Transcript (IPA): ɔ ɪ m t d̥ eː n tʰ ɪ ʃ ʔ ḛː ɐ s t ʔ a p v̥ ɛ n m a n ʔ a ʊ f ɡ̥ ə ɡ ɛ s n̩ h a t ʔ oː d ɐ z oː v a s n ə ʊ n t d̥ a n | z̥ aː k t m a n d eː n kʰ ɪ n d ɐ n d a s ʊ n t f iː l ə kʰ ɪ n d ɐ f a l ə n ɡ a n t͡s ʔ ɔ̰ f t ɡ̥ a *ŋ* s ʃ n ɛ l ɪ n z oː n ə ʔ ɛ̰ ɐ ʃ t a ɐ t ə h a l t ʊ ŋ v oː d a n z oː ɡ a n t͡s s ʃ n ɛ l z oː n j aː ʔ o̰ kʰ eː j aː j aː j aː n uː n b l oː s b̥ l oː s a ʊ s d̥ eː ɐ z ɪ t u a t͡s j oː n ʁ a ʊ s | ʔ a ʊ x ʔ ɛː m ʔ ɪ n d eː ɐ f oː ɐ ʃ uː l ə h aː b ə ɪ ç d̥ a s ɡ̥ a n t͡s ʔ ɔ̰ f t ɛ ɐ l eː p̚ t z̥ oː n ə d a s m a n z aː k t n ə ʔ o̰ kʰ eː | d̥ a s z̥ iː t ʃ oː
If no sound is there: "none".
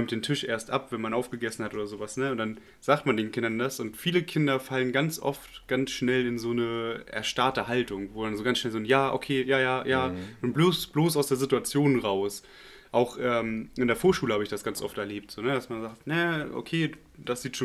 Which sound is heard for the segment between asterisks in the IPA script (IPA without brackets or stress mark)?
n